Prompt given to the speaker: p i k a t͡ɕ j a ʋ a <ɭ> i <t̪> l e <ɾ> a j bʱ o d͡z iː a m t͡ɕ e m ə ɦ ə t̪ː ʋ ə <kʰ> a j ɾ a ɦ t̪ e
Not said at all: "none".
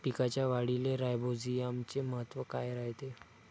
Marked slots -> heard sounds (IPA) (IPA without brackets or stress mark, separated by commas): ɽ, none, ɾ, k